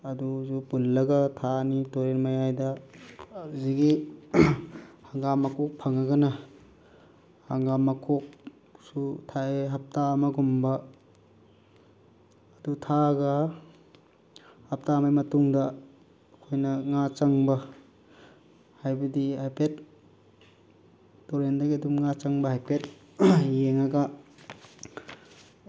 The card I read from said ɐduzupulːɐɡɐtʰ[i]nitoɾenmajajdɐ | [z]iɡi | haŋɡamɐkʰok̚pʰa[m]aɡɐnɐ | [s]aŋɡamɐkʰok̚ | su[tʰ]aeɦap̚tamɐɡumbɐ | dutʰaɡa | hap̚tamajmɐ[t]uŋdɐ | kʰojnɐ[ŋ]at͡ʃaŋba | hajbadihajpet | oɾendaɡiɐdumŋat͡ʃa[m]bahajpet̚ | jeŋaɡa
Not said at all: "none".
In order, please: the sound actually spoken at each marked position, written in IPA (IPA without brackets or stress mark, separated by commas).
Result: a, z, ŋ, h, tʰ, t, ŋ, ŋ